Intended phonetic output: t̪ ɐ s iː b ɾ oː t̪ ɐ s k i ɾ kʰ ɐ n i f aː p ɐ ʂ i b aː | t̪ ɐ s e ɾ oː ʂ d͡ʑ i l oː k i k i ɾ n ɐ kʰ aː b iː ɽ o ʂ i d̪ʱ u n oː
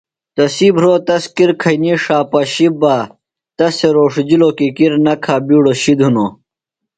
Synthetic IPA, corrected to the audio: t̪ ɐ s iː b ɾ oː t̪ ɐ s k i ɾ kʰ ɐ n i ʂ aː p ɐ ɕ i b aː | t̪ ɐ s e ɾ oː ʂ d͡ʑ i l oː k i k i ɾ n ɐ kʰ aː b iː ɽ o ɕ i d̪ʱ u n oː

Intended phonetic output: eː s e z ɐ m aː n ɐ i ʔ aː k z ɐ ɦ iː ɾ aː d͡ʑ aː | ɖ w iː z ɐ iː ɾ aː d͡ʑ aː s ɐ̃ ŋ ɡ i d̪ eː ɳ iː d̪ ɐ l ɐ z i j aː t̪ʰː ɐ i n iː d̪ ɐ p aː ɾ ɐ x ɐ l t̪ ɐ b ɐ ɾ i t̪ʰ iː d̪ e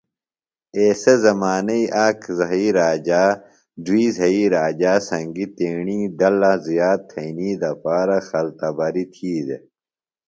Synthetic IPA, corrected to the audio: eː s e z ɐ m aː n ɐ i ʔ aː k z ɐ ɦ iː ɾ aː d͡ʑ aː | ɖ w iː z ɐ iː ɾ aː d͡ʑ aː s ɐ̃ ŋ ɡ i t̪ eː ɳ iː d̪ ɐ l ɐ z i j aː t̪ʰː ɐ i n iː d̪ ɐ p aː ɾ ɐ x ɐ l t̪ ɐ b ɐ ɾ i t̪ʰ iː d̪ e

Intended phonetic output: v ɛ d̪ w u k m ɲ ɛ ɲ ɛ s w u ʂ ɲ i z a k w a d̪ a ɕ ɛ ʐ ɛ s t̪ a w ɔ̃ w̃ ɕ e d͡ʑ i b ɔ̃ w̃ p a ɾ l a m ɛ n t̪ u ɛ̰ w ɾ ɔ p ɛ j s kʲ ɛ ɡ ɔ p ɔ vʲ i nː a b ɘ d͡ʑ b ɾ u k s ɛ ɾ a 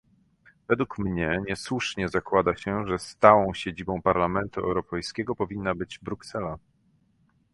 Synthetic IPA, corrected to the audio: v ɛ d̪ w u k m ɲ ɛ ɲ ɛ s w u ʂ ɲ ɛ z a k w a d̪ a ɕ ɛ ʐ ɛ s t̪ a w ɔ̃ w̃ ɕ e d͡ʑ i b ɔ̃ w̃ p a ɾ l a m ɛ n t̪ u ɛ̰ w ɾ ɔ p ɛ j s kʲ ɛ ɡ ɔ p ɔ vʲ i nː a b ɘ d͡ʑ b ɾ u k s ɛ l a

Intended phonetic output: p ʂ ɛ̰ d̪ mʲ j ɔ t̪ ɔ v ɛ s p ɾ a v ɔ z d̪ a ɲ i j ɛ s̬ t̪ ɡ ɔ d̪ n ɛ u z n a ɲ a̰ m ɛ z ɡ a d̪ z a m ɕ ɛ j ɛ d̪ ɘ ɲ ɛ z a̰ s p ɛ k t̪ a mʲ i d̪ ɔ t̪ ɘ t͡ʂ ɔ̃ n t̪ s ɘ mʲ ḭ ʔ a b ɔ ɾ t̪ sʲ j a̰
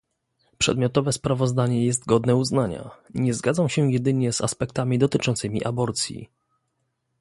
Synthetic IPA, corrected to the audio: p ʂ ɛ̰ d̪ mʲ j ɔ t̪ ɔ v ɛ s p ɾ a v ɔ z d̪ a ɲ ɛ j ɛ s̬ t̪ ɡ ɔ d̪ n ɛ u z n a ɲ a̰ ɲ ɛ z ɡ a d̪ z a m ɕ ɛ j ɛ d̪ ɘ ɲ ɛ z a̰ s p ɛ k t̪ a mʲ i d̪ ɔ t̪ ɘ t͡ʂ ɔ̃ n t̪ s ɘ mʲ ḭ ʔ a b ɔ ɾ t̪ sʲ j ḭ

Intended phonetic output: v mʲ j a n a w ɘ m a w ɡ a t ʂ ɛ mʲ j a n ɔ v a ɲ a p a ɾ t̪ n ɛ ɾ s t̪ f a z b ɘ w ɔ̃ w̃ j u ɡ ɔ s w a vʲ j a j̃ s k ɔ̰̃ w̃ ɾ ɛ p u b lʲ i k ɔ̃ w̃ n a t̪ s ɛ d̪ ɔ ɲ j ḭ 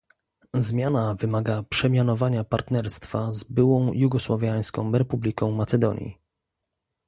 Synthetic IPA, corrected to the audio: z mʲ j a n a v ɘ m a ɡ a p ʂ ɛ mʲ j a n ɔ v a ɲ a p a ɾ t̪ n ɛ ɾ s t̪ f a z b ɘ w ɔ̃ w̃ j u ɡ ɔ s w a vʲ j a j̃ s k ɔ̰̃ w̃ ɾ ɛ p u b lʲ i k ɔ̃ w̃ m a t̪ s ɛ d̪ ɔ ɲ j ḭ

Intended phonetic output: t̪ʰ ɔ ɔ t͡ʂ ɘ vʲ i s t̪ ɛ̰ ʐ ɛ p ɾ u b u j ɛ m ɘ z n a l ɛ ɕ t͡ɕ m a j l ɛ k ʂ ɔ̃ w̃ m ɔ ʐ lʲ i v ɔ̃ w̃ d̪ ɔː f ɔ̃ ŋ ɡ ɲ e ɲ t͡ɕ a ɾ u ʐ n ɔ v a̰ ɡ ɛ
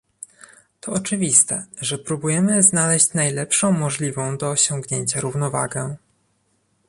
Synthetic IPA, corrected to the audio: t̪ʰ ɔ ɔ t͡ʂ ɘ vʲ i s t̪ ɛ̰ ʐ ɛ p ɾ u b u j ɛ m ɘ z n a l ɛ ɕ t͡ɕ n a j l ɛ p ʂ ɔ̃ w̃ m ɔ ʐ lʲ i v ɔ̃ w̃ d̪ ɔː ɕ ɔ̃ ŋ ɡ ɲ e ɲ t͡ɕ a ɾ u v n ɔ v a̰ ɡ ɛ

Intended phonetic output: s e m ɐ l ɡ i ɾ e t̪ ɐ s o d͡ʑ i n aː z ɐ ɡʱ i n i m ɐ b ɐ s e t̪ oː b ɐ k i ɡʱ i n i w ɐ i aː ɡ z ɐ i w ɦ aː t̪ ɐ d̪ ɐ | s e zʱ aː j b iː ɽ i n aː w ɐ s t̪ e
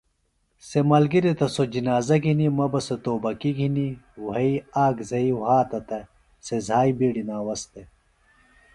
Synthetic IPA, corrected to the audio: s e m ɐ l ɡ i ɾ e t̪ ɐ s o d͡ʑ i n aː z ɐ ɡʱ i n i m ɐ b ɐ s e t̪ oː b ɐ k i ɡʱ i n i w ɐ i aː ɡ z ɐ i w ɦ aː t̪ ɐ t̪ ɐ | s e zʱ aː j b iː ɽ i n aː w ɐ s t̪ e

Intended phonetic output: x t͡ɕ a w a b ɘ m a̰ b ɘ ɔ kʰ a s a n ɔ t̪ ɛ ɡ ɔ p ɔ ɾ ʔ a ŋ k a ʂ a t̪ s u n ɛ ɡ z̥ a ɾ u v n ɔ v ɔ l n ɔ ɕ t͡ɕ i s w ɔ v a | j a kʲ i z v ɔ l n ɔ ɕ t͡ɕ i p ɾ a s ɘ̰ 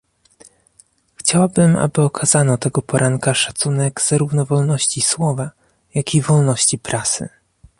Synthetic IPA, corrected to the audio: x t͡ɕ a w a b ɘ m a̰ b ɘ ɔ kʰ a z a n ɔ t̪ ɛ ɡ ɔ p ɔ ɾ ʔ a ŋ k a ʂ a t̪ s u n ɛ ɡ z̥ a ɾ u v n ɔ v ɔ l n ɔ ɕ t͡ɕ i s w ɔ v a | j a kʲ i v ɔ l n ɔ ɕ t͡ɕ i p ɾ a s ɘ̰

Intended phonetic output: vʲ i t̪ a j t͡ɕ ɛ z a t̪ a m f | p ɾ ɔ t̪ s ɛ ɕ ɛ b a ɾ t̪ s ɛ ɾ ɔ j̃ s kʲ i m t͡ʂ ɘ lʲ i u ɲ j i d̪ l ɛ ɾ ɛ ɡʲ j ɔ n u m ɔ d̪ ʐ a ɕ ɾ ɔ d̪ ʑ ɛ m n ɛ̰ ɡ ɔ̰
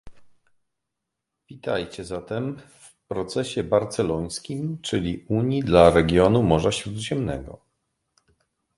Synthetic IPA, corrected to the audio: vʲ i t̪ a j t͡ɕ ɛ z a t̪ ɛ m f | p ɾ ɔ t̪ s ɛ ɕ ɛ b a ɾ t̪ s ɛ l ɔ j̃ s kʲ i m t͡ʂ ɘ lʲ i u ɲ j i d̪ l a ɾ ɛ ɡʲ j ɔ n u m ɔ ʐ a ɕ ɾ u d̪ ʑ ɛ m n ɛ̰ ɡ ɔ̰

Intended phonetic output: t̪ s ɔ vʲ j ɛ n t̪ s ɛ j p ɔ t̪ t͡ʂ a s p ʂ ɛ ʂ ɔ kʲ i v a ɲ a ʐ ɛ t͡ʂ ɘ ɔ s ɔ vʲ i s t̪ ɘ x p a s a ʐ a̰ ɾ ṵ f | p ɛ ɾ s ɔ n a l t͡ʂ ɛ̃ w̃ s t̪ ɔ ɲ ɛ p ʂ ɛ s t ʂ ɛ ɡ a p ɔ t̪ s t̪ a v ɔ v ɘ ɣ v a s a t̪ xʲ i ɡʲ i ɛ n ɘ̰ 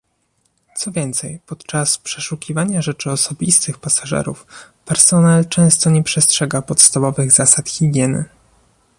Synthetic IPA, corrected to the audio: t̪ s ɔ vʲ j ɛ n t̪ s ɛ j p ɔ t̪ t͡ʂ a s p ʂ ɛ ʂ u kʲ i v a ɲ a ʐ ɛ t͡ʂ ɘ ɔ s ɔ bʲ i s t̪ ɘ x p a s a ʐ ɛ̰ ɾ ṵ f | p ɛ ɾ s ɔ n a l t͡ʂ ɛ̃ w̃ s t̪ ɔ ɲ ɛ p ʂ ɛ s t ʂ ɛ ɡ a p ɔ t̪ s t̪ a v ɔ v ɘ ɣ z a s a t̪ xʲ i ɡʲ j ɛ n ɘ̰

